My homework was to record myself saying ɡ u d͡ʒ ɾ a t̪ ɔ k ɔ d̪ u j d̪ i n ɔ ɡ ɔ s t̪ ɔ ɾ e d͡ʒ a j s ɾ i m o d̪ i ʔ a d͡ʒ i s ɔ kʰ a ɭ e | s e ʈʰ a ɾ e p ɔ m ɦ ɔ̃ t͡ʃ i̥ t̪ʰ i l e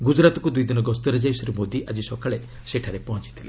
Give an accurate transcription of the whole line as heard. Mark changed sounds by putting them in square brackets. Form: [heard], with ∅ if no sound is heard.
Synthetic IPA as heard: ɡ u d͡ʒ ɾ a t̪ ɔ k [u] d̪ u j d̪ i n ɔ ɡ ɔ s t̪ ɔ ɾ e d͡ʒ a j s ɾ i m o d̪ i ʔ a d͡ʒ i s ɔ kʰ a ɭ e | s e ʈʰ a ɾ e p ɔ [∅] ɦ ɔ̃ t͡ʃ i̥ t̪ʰ i l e